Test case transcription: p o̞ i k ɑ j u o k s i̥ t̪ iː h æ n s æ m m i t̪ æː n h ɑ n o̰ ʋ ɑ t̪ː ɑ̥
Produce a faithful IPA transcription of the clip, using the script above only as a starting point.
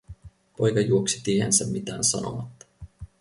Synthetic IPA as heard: p o̞ j k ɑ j u o k s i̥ t̪ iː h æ n s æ m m i t̪ æː n s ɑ n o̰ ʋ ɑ t̪ː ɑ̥